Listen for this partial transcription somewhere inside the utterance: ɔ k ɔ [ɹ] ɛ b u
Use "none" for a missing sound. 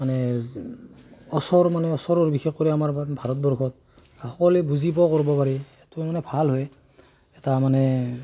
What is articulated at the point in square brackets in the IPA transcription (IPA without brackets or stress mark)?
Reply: l